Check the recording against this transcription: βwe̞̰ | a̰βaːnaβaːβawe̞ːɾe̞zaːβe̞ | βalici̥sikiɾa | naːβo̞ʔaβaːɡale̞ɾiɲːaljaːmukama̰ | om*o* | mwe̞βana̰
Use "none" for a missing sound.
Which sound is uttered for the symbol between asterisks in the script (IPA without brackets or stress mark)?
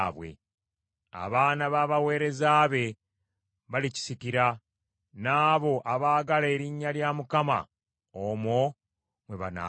o